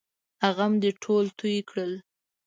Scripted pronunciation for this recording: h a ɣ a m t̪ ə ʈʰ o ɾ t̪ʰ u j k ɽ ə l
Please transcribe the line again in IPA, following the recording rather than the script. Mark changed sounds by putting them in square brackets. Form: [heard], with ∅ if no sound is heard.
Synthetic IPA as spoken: h a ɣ a m [d̪] ə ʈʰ o [l] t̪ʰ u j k ɽ ə l